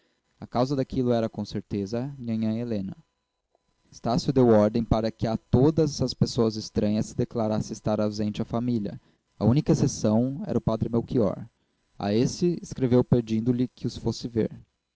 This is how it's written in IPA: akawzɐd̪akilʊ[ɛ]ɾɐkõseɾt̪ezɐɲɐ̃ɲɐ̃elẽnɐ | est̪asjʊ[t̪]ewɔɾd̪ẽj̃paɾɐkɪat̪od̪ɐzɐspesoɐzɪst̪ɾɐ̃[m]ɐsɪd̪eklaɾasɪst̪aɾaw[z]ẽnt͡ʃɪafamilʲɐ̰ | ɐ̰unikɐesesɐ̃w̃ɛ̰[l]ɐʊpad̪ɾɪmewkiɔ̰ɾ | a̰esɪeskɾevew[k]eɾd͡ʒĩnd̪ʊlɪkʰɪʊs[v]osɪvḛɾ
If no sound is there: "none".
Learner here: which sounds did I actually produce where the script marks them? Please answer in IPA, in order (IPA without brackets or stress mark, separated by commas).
ɛ, d̪, ɲ, z, ɾ, p, f